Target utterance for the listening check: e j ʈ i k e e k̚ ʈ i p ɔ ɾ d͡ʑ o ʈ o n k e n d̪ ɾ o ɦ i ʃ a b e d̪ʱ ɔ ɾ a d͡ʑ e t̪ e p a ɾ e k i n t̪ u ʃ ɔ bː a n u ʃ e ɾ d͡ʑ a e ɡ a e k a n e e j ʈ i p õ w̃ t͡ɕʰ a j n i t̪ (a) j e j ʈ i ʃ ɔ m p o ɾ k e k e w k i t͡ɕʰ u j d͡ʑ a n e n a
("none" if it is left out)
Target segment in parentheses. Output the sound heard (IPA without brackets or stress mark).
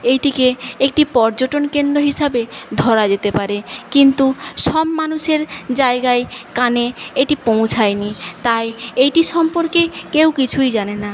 a